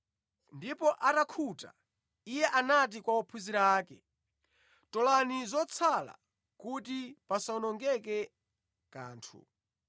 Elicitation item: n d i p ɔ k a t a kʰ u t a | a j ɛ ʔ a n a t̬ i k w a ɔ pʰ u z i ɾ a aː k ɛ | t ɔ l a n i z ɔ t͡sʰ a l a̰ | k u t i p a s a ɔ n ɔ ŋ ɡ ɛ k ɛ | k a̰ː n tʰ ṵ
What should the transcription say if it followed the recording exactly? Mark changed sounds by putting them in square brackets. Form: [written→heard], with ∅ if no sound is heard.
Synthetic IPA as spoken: n d i p ɔ [k→ʔ] a t a kʰ u t a | [a→i] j ɛ ʔ a n a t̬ i k w a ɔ pʰ u z i ɾ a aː k ɛ | t ɔ l a n i z ɔ t͡sʰ a l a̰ | k u t i p a s a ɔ n ɔ ŋ ɡ ɛ k ɛ | k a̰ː n tʰ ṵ